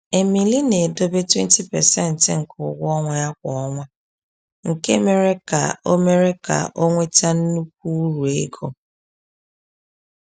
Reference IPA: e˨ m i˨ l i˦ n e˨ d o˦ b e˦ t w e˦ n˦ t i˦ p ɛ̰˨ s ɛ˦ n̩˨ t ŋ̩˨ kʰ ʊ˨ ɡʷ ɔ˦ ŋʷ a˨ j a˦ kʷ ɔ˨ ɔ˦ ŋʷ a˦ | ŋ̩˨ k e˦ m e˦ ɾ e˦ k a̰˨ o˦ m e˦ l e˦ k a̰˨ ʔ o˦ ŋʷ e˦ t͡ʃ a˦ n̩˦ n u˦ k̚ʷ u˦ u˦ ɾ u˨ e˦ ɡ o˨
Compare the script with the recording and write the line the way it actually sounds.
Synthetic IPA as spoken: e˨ m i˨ l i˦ n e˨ d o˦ b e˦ t w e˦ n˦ t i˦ p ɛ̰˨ s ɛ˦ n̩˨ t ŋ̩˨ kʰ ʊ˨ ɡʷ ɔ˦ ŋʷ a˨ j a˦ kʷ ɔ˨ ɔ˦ ŋʷ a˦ | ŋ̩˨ k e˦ m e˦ ɾ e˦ k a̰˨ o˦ m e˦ ɾ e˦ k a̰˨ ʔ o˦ ŋʷ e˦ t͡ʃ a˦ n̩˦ n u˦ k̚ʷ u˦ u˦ ɾ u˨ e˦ ɡ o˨